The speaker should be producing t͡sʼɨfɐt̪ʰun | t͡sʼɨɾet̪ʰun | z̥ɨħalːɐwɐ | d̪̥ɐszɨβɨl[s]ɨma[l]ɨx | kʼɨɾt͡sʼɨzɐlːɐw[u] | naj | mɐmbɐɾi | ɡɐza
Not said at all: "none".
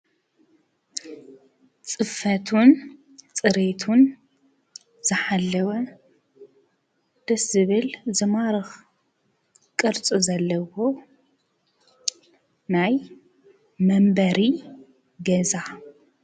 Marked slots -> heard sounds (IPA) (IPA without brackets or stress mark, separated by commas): z, ɾ, o